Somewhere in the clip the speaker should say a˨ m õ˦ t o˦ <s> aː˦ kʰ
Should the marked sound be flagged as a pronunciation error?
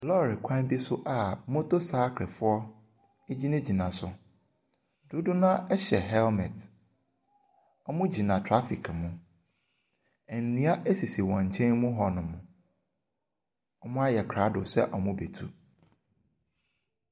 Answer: no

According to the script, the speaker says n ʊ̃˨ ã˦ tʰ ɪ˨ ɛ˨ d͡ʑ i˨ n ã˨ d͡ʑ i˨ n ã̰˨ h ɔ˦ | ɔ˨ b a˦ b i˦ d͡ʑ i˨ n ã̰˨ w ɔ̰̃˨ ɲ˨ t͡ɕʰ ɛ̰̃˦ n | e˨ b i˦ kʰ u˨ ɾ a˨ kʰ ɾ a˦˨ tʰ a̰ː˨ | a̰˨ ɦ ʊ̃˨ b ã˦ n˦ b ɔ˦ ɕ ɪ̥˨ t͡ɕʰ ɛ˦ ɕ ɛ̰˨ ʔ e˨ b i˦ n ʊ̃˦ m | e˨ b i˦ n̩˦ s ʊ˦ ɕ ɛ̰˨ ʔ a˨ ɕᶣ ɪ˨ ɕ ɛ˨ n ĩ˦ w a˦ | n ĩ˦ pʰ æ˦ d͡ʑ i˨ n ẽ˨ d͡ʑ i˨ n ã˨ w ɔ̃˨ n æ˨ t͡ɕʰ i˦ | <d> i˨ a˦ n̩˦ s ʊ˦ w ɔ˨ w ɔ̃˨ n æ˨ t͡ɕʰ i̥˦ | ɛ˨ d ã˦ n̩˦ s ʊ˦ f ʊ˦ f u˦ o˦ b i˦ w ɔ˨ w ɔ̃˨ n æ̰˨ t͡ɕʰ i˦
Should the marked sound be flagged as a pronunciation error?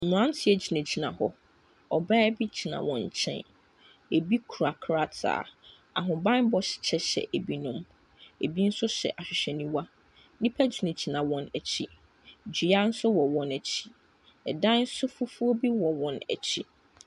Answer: yes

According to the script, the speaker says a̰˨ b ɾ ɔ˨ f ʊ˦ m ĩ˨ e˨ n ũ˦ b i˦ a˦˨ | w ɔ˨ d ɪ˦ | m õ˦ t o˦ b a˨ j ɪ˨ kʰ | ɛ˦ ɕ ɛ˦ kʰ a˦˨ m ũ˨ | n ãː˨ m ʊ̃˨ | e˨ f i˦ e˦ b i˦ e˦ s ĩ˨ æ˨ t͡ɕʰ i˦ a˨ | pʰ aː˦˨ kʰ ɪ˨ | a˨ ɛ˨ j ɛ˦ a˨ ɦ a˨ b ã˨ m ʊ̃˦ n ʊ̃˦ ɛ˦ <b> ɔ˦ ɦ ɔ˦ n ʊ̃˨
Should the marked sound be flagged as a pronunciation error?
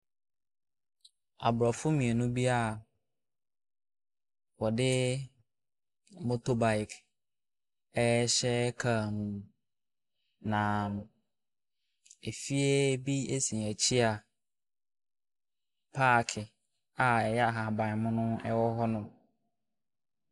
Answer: yes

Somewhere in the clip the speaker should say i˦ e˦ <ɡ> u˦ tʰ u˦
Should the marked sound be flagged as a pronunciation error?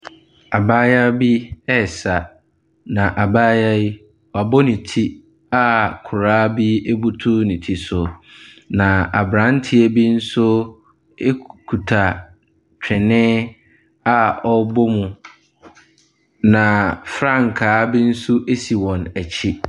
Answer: yes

